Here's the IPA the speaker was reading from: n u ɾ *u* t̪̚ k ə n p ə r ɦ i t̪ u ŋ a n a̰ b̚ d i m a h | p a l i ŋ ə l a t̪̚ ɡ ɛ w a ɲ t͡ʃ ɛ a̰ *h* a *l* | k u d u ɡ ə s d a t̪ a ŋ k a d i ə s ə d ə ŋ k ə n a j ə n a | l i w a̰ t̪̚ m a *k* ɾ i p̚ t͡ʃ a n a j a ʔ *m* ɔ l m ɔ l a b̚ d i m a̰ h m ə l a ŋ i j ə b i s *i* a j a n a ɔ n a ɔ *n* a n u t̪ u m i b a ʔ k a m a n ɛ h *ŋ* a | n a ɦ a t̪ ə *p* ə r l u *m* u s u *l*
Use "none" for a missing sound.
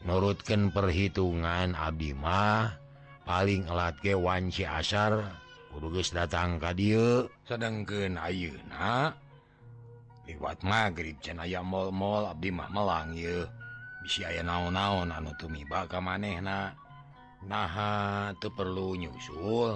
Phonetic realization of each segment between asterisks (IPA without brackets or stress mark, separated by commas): u, s, r, ɡ, m, i, n, n, p, ɲ, l